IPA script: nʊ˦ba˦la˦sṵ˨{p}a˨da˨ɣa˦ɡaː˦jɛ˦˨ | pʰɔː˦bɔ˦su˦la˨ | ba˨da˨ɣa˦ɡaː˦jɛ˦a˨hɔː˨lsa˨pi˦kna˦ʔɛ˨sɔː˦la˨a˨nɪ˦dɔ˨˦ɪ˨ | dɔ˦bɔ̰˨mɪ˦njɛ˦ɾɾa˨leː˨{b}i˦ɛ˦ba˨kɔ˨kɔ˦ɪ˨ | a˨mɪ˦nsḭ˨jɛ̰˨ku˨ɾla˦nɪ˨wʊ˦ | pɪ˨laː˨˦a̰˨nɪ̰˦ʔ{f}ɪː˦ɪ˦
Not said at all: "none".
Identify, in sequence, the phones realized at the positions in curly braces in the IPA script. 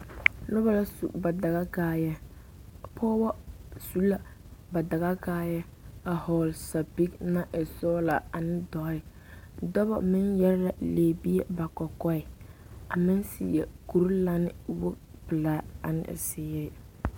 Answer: b, b, s

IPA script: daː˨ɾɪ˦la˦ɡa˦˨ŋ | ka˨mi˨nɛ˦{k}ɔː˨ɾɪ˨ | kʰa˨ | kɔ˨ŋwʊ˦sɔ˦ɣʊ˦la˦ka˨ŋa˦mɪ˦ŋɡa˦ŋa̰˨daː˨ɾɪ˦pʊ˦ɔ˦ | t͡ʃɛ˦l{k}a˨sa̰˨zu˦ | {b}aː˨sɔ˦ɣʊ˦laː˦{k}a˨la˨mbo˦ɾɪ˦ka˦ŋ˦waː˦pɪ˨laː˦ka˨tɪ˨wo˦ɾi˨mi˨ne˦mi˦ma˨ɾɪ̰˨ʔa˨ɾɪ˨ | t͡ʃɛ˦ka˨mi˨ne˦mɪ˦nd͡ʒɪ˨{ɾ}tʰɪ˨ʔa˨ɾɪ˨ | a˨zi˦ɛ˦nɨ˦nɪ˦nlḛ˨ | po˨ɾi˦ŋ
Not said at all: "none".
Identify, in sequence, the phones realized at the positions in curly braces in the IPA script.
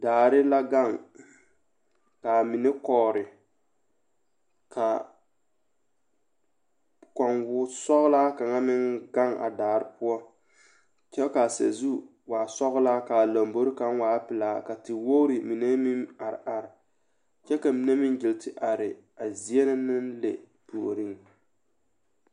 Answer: k, k, w, k, l

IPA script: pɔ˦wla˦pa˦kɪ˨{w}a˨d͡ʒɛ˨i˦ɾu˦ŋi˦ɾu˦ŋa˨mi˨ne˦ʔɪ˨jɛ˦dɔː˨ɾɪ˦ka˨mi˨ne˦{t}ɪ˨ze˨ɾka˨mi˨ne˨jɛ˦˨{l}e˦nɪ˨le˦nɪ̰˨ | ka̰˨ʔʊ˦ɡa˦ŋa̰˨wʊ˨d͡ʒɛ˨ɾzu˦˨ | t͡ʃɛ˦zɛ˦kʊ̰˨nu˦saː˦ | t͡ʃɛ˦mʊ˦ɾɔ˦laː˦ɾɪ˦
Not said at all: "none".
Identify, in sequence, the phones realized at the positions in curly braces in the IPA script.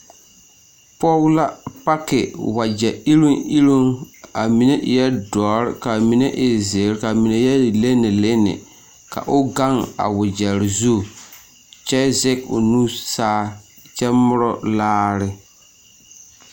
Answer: w, ʔ, l

